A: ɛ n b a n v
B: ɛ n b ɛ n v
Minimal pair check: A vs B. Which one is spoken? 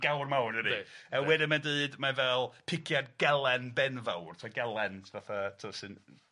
B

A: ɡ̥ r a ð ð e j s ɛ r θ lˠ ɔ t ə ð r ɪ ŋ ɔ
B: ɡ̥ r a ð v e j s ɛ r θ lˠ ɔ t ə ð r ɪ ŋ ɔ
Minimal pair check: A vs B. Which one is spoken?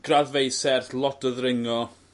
B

